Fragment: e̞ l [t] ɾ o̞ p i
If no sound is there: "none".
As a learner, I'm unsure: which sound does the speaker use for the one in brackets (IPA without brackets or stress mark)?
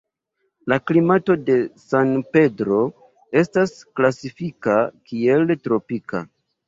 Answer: t